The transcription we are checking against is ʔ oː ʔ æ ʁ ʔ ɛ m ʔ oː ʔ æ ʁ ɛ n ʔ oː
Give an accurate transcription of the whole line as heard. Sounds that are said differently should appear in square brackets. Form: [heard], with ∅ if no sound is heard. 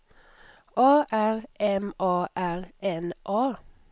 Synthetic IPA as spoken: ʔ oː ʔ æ ʁ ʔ ɛ m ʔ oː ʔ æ ʁ ɛ n ʔ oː